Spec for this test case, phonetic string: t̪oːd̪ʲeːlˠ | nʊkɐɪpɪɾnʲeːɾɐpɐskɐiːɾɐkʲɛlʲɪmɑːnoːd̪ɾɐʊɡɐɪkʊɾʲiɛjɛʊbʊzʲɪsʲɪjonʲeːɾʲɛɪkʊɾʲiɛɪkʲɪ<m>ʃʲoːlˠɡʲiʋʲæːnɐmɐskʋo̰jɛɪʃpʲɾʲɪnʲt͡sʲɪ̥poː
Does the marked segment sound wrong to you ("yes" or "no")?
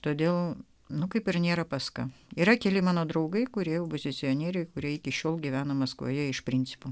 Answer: yes